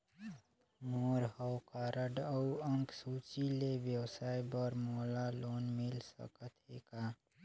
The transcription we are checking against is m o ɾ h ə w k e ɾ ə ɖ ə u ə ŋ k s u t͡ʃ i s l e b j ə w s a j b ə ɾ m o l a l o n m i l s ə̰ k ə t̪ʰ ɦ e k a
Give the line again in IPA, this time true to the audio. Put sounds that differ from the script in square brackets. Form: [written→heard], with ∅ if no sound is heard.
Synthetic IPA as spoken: m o ɾ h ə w k [e→a] ɾ ə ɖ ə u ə ŋ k s u t͡ʃ i [s→∅] l e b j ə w s a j b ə ɾ m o l a l o n m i l s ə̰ k ə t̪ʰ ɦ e k a